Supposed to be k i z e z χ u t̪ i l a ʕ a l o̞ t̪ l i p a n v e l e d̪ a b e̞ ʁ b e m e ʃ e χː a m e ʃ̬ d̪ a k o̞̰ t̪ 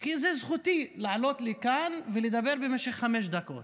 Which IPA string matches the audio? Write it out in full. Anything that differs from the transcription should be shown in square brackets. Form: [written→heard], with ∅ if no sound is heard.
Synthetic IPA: k i z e z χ u t̪ i l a ʕ a l o̞ t̪ l i [p→k] a n v e l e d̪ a b e̞ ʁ b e m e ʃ e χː a m e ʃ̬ d̪ a k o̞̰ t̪